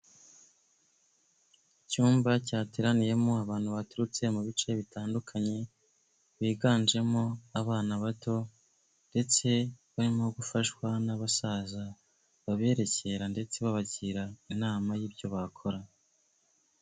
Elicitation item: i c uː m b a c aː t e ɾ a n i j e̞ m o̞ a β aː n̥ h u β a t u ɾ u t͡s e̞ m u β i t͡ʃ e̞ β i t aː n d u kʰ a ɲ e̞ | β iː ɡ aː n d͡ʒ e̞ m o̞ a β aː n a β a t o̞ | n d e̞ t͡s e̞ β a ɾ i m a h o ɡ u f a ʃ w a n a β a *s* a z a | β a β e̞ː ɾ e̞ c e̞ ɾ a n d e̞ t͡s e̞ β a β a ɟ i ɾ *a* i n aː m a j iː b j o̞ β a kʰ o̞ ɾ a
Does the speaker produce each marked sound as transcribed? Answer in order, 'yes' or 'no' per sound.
yes, yes

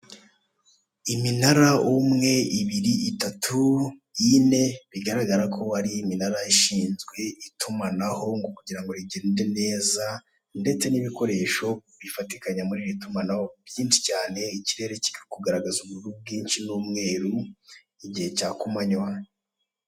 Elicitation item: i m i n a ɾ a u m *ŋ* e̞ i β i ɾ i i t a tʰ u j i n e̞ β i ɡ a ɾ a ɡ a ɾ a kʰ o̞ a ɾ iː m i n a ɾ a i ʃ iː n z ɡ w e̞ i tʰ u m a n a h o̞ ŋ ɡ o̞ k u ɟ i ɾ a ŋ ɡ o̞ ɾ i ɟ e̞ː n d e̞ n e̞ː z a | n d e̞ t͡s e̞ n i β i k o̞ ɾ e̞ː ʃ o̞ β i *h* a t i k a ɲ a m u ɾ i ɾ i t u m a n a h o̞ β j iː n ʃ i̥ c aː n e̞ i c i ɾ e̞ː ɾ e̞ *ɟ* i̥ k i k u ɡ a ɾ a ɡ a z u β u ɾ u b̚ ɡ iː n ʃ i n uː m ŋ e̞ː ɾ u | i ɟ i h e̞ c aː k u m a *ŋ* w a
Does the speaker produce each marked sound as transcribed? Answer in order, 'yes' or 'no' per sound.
yes, no, no, no

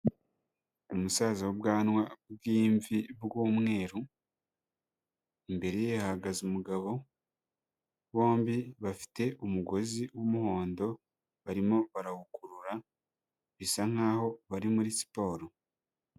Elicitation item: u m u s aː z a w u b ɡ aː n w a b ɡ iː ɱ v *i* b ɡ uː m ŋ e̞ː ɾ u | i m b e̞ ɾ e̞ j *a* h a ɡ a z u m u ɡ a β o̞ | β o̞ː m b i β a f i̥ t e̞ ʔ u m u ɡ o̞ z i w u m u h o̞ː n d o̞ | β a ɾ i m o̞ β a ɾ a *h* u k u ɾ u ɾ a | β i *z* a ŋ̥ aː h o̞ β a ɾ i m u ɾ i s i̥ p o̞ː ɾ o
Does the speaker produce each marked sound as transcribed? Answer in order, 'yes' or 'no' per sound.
yes, no, yes, no

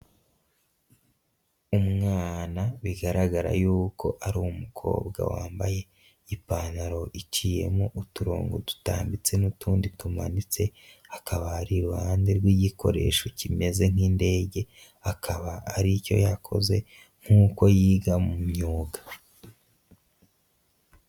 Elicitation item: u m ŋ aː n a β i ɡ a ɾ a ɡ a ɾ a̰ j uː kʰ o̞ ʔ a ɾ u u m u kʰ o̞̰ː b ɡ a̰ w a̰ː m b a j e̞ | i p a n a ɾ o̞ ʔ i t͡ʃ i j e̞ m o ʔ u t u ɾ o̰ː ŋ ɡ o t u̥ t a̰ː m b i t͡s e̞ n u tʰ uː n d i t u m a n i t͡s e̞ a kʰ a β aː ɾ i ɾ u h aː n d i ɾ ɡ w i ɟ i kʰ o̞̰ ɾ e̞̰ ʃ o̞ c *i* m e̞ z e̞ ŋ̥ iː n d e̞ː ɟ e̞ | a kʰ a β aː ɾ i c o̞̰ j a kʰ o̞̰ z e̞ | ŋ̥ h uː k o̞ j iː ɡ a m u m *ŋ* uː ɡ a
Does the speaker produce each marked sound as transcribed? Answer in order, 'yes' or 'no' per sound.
yes, no

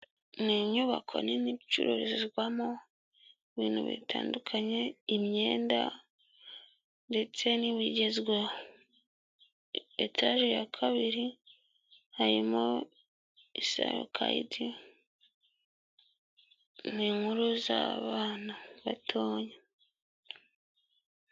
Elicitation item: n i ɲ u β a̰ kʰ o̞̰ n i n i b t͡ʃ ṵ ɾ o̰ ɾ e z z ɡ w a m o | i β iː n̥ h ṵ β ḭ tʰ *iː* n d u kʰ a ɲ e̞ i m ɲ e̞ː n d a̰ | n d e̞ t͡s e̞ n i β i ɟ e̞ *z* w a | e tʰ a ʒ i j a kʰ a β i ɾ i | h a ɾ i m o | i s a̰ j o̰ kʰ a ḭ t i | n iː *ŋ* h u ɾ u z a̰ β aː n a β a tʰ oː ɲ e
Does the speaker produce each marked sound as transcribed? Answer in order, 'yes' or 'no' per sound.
no, yes, yes

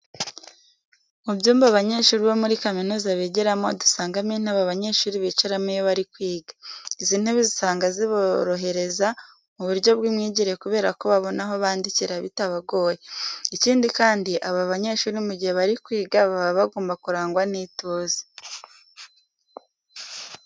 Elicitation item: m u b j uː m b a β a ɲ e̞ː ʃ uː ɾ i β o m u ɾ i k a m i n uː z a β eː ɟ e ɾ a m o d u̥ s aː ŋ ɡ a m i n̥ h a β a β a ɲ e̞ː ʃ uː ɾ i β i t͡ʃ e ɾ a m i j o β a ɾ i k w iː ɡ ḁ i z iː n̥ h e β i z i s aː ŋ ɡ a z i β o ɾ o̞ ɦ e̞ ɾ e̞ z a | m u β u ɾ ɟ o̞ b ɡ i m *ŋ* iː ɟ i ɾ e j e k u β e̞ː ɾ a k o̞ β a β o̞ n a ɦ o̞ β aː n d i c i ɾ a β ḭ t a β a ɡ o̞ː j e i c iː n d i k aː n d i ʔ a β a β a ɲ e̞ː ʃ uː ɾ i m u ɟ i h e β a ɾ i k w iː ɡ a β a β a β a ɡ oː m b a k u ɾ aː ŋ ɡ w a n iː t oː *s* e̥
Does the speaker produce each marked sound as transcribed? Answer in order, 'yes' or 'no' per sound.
yes, no

